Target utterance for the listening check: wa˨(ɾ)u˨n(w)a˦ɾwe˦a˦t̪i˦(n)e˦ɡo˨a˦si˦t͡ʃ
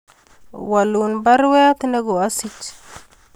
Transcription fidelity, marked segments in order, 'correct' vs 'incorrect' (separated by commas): incorrect, incorrect, correct